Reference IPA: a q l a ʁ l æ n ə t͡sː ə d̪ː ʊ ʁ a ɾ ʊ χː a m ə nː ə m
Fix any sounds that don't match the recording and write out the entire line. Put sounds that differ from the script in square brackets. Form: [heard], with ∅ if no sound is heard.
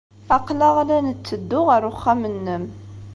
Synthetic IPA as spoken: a q l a ʁ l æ n ə t͡sː ə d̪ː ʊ ʁ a ɾ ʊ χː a m ə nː ə m